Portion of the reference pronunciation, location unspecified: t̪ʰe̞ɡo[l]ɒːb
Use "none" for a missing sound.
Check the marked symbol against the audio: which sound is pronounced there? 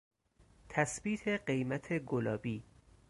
l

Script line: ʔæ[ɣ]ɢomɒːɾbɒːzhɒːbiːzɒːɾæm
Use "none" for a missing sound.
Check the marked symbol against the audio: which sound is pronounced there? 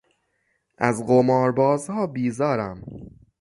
z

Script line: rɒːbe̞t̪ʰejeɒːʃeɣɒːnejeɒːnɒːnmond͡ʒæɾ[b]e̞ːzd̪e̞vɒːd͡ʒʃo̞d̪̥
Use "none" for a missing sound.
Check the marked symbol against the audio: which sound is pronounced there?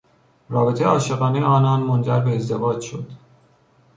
b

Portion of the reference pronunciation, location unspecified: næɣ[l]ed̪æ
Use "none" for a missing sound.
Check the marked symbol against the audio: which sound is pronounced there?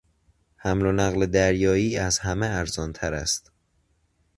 l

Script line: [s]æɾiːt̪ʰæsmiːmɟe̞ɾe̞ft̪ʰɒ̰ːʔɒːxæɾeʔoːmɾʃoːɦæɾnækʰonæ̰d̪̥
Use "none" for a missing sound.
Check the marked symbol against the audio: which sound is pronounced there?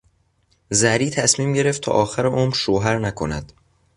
z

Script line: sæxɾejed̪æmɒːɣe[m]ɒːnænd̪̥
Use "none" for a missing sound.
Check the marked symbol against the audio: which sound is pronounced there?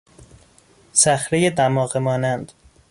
m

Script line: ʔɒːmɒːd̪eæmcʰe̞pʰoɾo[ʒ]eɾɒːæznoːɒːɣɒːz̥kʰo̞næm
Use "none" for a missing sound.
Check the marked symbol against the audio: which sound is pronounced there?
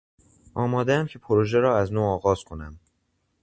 ʒ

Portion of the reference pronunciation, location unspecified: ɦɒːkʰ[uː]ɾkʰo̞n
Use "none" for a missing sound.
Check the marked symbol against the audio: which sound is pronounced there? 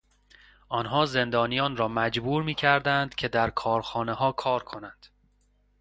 ɒː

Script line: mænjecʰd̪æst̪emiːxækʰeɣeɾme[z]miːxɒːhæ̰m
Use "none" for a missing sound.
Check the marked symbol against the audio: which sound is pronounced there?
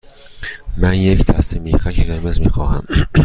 z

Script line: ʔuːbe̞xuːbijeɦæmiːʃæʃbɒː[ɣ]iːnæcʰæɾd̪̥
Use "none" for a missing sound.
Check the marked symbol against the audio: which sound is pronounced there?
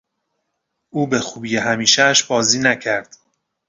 z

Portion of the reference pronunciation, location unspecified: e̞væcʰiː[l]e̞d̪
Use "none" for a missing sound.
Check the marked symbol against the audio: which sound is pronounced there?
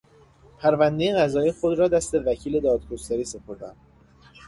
l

